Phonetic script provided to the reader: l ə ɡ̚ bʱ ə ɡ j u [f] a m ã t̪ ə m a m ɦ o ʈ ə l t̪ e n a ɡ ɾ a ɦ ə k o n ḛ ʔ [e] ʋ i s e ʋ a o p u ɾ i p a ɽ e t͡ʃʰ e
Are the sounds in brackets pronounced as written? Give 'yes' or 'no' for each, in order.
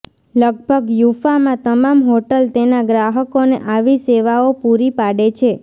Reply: yes, no

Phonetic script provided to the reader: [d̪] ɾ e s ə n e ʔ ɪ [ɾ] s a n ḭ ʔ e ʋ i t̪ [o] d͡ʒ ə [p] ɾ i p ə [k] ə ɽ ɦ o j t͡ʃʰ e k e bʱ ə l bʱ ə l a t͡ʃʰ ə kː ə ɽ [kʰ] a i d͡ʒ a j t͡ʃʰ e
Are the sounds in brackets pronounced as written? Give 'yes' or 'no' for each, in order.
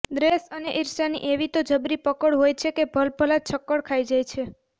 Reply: yes, yes, yes, no, yes, yes

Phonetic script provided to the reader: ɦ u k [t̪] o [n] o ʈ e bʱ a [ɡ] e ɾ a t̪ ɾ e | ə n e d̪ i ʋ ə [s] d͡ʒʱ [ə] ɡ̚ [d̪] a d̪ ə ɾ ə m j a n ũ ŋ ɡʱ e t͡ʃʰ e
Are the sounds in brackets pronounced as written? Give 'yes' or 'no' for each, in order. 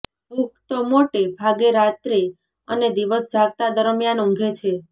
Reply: yes, no, yes, yes, no, no

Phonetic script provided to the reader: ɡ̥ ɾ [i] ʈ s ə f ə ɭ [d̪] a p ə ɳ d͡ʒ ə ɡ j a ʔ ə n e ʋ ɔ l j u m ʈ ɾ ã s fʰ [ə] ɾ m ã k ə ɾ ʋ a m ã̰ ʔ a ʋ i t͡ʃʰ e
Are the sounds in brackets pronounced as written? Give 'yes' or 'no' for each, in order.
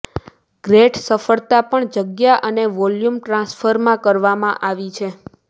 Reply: no, no, yes

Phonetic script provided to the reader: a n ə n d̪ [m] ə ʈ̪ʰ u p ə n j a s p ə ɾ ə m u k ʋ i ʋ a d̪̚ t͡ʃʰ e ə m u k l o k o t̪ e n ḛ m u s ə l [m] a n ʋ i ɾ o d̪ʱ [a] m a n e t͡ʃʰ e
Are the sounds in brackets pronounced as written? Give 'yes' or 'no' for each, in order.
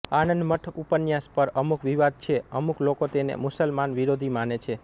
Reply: yes, yes, no

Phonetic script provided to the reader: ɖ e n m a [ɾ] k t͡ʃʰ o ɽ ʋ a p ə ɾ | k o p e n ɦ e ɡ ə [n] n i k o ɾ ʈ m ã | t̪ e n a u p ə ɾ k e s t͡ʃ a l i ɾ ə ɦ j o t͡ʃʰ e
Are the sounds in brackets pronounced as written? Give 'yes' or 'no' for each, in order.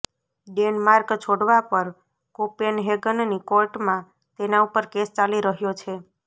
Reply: yes, yes

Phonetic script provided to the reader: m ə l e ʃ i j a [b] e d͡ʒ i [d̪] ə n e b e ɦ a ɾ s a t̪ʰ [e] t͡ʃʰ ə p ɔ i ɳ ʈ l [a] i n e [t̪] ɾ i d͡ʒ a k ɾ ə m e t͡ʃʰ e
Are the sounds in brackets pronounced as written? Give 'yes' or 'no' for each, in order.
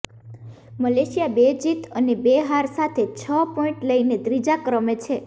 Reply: yes, no, yes, no, no

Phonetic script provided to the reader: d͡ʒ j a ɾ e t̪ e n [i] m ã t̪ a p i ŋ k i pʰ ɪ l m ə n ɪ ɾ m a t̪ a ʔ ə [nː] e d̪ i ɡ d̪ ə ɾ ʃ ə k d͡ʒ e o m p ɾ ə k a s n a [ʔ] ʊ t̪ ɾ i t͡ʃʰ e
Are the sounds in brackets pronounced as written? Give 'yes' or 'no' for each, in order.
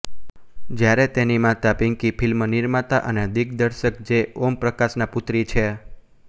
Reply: yes, no, no

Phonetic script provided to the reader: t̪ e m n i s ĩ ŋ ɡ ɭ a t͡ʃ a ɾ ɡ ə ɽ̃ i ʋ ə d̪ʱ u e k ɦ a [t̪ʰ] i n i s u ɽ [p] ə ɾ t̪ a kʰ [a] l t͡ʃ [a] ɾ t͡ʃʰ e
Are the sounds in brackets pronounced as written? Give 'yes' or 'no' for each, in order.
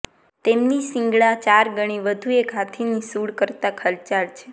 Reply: yes, no, no, yes

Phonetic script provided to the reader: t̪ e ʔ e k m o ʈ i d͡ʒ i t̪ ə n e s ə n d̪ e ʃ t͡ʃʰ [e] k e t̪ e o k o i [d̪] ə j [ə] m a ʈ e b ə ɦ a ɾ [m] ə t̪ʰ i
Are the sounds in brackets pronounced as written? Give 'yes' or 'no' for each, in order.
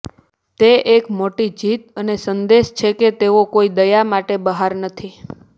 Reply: yes, yes, no, no

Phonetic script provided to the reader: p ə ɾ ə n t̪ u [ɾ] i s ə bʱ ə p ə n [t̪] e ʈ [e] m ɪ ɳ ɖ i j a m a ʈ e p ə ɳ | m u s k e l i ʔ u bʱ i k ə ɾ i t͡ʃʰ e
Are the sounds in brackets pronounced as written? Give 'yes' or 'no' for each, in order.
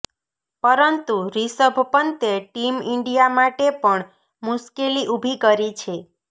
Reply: yes, yes, no

